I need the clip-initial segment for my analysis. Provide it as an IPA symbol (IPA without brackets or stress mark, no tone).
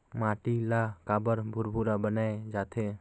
m